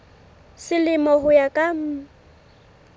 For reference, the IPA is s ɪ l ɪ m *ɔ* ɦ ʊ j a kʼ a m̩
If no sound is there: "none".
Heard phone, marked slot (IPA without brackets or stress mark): ɔ